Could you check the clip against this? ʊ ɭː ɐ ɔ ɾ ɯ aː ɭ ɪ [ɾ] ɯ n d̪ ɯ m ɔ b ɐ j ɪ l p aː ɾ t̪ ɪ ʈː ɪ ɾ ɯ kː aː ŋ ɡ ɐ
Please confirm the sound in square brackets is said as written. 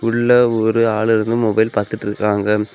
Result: yes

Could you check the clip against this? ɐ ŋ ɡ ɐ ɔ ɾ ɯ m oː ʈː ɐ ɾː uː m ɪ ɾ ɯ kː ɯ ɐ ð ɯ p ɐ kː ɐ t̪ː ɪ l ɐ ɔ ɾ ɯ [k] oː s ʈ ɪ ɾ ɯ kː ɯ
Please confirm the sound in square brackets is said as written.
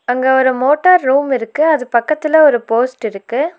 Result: no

